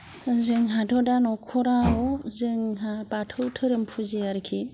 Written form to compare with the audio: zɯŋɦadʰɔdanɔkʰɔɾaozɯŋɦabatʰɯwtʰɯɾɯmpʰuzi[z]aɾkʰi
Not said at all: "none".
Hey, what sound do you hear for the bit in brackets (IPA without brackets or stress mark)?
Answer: none